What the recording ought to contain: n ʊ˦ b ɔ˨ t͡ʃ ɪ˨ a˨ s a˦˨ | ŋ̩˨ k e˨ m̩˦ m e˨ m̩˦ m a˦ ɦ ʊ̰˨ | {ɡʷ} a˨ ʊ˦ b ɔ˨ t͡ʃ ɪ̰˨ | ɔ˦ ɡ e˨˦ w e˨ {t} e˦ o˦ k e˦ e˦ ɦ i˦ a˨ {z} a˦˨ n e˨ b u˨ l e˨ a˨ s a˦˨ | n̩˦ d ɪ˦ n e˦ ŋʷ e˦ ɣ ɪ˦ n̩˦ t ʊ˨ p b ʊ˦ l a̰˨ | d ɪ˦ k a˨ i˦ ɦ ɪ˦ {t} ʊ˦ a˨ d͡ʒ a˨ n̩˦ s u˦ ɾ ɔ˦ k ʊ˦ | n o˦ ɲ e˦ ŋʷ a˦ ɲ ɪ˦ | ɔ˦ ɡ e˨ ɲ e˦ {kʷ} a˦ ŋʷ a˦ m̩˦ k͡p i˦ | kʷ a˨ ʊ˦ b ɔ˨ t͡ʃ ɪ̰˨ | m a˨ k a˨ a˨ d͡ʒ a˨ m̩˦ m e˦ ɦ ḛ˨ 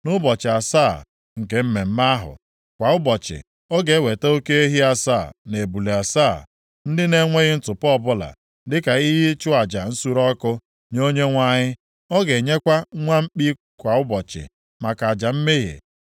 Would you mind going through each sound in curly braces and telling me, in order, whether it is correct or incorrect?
incorrect: kʷ, correct, incorrect: s, incorrect: t͡ʃ, correct

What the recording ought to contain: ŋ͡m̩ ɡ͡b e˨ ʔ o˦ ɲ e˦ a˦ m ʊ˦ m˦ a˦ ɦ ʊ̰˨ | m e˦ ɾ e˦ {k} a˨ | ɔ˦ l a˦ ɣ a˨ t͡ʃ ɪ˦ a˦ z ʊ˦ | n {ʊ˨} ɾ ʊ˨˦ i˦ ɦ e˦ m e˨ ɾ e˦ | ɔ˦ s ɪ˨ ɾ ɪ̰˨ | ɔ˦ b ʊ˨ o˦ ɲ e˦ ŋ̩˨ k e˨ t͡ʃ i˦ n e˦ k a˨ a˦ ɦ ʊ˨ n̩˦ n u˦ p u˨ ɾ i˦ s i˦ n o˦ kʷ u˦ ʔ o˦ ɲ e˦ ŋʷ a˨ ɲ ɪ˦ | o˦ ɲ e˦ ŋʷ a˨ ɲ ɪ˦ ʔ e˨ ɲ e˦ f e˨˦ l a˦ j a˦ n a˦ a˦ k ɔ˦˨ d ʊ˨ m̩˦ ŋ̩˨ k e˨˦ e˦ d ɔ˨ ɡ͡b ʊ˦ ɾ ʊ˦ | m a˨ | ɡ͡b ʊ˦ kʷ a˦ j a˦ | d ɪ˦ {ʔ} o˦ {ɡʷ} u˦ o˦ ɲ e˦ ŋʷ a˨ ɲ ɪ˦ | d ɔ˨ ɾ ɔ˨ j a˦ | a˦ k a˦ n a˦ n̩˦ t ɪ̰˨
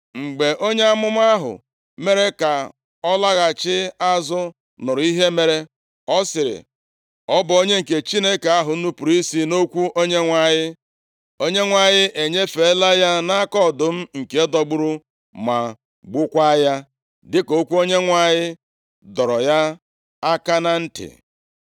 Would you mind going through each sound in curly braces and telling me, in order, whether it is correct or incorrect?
correct, correct, incorrect: k, incorrect: kʷ

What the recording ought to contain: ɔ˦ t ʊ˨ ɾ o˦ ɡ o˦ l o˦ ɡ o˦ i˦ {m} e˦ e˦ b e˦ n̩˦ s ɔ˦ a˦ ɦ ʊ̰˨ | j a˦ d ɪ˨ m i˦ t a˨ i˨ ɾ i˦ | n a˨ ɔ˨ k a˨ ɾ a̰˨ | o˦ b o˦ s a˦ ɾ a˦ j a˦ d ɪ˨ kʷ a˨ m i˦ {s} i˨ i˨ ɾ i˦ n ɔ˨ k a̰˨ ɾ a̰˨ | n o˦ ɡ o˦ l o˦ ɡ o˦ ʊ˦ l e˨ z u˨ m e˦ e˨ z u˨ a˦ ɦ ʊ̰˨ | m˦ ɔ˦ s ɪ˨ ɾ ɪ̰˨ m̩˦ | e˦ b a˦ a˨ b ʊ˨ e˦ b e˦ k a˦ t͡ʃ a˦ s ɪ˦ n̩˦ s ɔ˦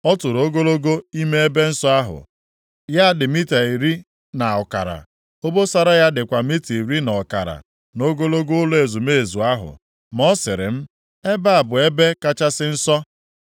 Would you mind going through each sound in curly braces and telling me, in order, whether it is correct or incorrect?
correct, incorrect: t

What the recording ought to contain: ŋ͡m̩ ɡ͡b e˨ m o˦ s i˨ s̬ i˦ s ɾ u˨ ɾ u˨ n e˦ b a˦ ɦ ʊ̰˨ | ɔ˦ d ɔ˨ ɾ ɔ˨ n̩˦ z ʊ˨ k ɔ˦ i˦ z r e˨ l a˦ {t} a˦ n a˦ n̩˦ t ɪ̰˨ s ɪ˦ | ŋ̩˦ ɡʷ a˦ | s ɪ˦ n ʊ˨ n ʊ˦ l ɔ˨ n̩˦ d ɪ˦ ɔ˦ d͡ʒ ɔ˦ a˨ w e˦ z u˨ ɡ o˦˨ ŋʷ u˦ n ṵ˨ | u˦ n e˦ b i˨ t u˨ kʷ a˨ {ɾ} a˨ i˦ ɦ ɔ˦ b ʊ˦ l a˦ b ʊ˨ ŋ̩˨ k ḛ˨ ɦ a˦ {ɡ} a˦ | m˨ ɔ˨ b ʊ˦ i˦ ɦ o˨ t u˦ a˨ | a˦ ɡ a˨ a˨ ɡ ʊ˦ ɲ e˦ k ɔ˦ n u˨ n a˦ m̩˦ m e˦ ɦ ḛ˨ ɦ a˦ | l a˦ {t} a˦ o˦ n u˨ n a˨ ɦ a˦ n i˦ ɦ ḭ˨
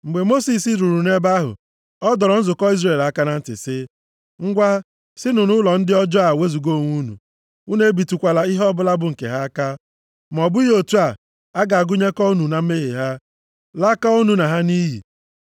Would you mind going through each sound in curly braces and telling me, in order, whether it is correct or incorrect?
incorrect: k, incorrect: l, incorrect: k, incorrect: k

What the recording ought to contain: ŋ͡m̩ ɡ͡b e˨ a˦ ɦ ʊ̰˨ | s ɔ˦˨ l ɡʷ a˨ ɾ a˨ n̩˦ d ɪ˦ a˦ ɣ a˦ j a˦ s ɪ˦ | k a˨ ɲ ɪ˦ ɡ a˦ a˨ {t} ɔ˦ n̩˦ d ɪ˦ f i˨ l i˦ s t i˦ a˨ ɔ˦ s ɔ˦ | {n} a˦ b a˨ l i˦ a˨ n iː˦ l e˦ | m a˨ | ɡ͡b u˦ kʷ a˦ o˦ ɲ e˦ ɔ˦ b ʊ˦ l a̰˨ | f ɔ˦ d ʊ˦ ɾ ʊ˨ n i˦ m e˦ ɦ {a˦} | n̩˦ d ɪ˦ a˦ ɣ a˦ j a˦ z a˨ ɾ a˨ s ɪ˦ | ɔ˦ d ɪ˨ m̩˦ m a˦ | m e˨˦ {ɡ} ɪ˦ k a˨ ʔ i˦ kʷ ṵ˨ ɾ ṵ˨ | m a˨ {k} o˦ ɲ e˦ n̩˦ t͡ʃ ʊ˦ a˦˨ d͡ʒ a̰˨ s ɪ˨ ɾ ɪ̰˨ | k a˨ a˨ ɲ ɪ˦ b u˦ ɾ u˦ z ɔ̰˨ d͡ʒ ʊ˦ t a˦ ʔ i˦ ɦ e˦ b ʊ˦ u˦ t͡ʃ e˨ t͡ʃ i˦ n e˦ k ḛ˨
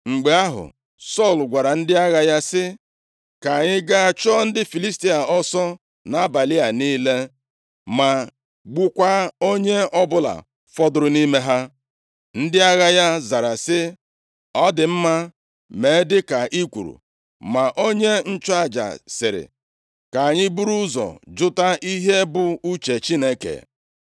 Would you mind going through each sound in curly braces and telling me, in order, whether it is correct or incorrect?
incorrect: t͡ʃ, correct, correct, incorrect: d, incorrect: ʔ

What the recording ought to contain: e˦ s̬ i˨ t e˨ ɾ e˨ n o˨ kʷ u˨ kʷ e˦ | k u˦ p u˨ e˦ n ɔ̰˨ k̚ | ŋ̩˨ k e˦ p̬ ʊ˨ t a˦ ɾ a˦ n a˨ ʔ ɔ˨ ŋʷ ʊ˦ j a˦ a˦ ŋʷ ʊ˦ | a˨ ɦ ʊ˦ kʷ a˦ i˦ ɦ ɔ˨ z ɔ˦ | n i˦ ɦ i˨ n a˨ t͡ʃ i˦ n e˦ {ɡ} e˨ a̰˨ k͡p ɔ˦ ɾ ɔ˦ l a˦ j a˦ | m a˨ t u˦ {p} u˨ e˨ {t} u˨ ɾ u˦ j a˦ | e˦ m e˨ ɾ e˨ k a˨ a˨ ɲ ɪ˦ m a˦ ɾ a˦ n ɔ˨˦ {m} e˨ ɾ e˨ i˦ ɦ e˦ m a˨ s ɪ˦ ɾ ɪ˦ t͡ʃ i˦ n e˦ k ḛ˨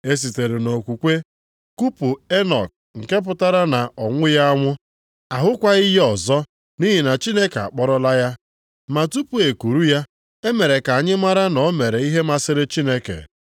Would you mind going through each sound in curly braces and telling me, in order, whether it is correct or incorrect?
incorrect: k, correct, incorrect: k, correct

